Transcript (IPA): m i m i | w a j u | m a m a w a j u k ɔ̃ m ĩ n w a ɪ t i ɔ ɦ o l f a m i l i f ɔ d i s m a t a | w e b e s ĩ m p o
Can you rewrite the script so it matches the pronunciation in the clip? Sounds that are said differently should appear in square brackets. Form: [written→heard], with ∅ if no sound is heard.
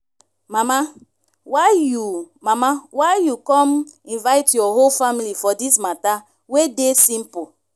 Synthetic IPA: m [i→a] m [i→a] | w a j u | m a m a w a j u k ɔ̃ m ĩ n [w→v] a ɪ t [i→j] ɔ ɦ o l f a m i l i f ɔ d i s m a t a | w e [b→d] e s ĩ m p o